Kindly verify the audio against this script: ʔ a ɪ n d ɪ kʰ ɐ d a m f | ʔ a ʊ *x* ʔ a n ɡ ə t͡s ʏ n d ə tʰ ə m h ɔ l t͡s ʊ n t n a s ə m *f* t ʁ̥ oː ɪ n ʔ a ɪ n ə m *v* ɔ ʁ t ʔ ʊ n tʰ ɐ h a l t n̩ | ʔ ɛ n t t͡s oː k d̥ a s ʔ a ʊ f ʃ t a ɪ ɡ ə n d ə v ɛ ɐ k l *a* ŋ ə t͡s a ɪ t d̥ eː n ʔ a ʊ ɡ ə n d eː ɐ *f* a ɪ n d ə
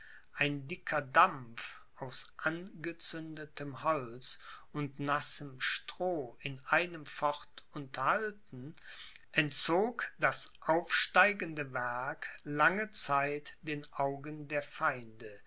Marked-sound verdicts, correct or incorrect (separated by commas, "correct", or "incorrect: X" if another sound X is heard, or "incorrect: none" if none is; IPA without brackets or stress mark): incorrect: s, incorrect: ʃ, incorrect: f, correct, correct